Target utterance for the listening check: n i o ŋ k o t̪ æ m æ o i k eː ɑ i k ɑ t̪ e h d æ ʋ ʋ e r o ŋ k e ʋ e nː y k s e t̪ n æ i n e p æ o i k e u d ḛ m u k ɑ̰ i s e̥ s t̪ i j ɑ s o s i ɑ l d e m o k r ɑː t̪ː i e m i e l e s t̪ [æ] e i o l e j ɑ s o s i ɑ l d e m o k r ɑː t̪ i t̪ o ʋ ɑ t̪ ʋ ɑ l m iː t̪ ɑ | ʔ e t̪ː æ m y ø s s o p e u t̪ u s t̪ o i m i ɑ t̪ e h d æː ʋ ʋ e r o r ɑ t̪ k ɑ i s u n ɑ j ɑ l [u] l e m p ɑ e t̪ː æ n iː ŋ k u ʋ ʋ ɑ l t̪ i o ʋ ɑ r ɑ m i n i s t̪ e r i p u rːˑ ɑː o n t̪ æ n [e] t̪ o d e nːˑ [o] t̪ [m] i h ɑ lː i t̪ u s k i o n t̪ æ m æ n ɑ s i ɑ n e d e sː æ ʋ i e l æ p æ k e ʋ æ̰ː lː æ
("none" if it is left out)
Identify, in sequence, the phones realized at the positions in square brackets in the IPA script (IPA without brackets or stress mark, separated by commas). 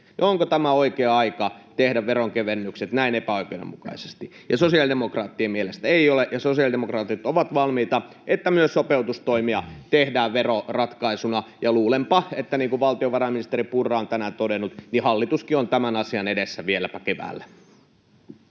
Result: æ, uː, æ, u, n